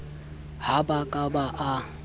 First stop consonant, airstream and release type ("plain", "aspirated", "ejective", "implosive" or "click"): plain